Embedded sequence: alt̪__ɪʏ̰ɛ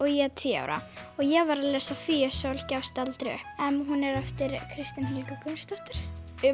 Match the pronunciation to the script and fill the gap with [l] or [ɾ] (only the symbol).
ɾ